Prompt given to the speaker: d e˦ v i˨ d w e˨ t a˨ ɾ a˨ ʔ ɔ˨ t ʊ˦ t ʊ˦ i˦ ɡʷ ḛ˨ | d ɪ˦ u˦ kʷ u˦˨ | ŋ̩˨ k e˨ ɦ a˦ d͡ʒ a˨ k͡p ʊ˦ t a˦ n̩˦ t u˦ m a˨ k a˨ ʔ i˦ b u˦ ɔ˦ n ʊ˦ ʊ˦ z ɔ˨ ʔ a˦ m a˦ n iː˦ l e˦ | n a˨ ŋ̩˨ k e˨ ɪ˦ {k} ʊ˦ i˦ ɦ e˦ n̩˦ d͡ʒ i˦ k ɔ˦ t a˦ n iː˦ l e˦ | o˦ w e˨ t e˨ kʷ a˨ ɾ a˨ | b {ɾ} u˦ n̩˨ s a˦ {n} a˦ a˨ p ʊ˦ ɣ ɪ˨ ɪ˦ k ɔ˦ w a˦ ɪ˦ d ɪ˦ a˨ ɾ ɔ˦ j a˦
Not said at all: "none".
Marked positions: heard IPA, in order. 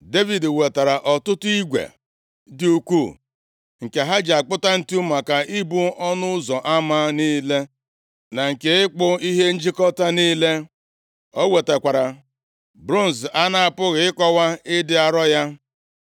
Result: k͡p, ɾ, n

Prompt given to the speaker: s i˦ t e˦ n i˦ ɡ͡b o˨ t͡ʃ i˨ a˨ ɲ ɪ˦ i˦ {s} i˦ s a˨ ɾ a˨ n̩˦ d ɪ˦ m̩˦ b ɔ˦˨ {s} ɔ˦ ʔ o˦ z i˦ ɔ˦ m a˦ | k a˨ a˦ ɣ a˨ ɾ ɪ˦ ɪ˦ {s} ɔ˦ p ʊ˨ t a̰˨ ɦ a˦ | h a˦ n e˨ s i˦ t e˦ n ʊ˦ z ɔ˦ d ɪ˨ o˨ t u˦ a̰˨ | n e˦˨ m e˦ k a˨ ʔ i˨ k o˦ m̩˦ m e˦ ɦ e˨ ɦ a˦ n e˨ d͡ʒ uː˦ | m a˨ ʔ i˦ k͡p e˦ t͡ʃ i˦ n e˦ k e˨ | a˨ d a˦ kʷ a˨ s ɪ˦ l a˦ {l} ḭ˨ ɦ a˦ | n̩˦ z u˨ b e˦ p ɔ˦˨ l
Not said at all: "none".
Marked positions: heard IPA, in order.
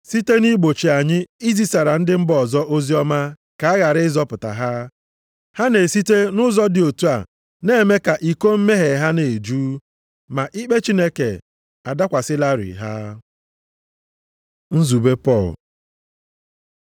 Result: z, z, z, ɾ

